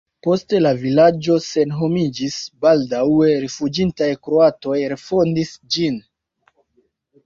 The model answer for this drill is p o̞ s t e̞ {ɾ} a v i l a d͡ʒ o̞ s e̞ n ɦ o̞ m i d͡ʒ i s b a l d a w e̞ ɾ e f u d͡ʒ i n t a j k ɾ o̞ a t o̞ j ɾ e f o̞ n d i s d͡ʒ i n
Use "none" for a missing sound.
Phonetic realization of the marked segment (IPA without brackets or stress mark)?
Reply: l